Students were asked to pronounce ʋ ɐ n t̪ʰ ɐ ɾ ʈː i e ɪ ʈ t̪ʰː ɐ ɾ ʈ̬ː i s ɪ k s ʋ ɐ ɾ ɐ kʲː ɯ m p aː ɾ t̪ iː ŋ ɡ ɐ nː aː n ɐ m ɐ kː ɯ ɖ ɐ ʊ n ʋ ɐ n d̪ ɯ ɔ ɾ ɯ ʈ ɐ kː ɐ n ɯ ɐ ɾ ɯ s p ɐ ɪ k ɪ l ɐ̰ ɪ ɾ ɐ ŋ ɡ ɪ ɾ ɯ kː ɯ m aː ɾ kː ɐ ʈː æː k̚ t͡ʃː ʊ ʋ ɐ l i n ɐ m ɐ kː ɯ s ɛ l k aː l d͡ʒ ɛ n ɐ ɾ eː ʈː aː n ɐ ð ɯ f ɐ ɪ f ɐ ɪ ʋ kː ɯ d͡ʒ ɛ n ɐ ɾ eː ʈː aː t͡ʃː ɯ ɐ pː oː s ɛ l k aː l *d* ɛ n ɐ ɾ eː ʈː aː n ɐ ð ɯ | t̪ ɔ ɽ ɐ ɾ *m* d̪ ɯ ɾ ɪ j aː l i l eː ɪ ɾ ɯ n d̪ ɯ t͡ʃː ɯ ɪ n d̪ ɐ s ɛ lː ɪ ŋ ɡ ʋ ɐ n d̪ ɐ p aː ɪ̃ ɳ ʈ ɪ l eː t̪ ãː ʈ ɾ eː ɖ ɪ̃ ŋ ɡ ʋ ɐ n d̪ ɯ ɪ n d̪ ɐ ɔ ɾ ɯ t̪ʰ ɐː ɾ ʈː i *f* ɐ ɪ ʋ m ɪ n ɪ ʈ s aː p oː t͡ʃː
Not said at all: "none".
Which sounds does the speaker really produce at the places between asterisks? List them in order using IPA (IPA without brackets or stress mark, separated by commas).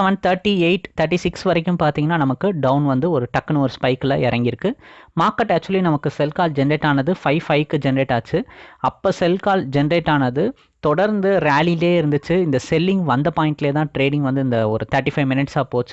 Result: d͡ʒ, n, f